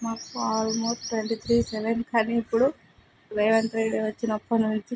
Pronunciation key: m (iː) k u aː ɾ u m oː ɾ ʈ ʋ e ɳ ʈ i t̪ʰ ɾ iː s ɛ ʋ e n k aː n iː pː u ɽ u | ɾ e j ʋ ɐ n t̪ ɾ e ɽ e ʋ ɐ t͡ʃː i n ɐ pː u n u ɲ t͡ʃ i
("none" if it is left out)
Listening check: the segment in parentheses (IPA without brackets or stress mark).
aː